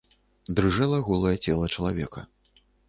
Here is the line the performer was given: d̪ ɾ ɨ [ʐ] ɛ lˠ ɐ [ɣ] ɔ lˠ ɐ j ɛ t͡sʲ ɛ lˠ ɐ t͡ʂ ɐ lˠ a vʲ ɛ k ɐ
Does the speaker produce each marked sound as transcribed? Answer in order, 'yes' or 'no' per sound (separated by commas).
yes, yes